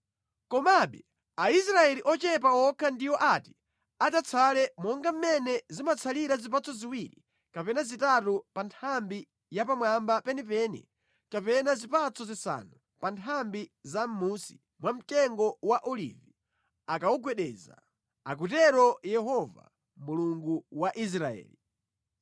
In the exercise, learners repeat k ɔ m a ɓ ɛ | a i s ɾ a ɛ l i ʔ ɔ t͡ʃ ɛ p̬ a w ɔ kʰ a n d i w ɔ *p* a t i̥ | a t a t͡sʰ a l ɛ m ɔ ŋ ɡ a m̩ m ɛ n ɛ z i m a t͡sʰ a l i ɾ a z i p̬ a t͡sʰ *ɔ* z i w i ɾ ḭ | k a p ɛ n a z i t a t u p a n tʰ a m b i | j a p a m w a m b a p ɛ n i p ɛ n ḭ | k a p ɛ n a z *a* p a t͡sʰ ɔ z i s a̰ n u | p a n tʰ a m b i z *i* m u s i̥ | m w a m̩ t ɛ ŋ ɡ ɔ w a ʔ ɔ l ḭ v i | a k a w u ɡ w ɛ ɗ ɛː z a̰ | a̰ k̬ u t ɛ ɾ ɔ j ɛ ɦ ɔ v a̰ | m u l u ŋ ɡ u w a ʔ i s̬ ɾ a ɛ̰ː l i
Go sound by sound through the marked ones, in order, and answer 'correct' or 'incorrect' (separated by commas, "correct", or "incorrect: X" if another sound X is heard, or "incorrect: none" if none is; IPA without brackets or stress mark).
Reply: incorrect: ʔ, correct, incorrect: i, incorrect: a